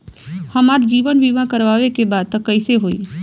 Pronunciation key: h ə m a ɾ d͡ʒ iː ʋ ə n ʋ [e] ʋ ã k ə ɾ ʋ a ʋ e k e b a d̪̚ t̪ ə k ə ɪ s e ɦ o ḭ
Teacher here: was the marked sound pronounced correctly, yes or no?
no